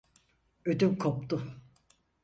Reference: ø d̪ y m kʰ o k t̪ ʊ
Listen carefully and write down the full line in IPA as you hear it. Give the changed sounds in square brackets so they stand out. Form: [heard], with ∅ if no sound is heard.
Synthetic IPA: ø d̪ y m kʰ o [p] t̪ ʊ